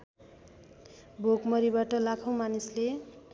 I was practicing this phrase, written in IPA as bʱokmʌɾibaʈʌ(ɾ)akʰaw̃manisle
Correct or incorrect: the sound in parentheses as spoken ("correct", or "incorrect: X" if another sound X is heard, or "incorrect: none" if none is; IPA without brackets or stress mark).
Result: incorrect: l